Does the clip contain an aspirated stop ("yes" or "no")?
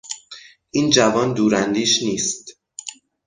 no